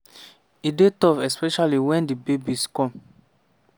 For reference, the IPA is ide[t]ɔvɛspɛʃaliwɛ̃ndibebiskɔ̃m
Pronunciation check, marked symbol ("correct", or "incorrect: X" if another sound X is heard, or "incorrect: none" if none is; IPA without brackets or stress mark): correct